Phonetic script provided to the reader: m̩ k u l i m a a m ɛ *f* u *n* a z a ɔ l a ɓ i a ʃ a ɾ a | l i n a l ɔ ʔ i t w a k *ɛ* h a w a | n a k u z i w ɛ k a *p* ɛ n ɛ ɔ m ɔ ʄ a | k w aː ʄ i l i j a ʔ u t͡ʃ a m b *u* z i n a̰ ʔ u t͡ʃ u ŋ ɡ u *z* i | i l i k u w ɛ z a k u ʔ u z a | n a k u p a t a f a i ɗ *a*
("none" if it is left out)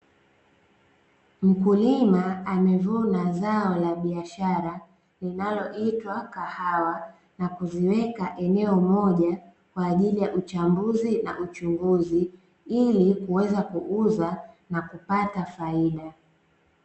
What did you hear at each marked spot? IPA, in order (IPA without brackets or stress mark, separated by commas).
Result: v, n, a, ʔ, u, z, a